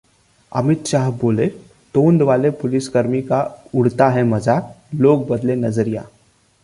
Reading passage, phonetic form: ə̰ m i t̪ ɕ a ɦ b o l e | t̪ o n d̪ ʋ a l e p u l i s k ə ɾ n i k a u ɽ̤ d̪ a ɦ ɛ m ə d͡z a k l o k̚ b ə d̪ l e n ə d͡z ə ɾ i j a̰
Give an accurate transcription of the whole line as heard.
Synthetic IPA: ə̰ m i t̪ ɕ a ɦ b o l e | t̪ o n d̪ ʋ a l e p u l i s k ə ɾ m i k a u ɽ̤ t̪ a ɦ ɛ m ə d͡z a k l o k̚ b ə d̪ l e n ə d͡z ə ɾ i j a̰